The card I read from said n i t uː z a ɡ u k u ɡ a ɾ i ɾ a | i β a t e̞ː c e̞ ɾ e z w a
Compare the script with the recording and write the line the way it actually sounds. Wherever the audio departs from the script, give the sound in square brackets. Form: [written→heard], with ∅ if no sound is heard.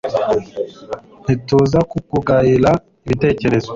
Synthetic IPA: n i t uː z a [ɡ→k] u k u ɡ a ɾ i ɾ a | i β [a→i] t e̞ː c e̞ ɾ e z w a